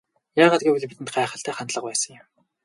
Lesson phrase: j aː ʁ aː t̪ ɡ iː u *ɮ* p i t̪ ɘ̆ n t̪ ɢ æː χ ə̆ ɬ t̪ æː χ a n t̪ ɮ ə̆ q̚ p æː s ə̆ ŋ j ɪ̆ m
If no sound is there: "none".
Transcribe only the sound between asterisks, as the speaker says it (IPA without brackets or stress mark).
ɮ